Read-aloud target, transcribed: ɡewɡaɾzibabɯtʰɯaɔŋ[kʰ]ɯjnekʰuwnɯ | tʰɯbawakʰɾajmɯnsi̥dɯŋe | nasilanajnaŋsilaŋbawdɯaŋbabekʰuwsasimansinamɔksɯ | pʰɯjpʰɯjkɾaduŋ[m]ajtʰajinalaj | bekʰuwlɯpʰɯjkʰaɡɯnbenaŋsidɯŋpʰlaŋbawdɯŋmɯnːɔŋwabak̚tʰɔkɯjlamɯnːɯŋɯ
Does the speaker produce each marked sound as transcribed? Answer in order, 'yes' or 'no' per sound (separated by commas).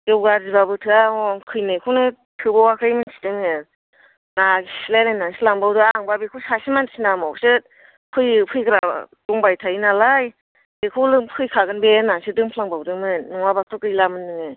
yes, no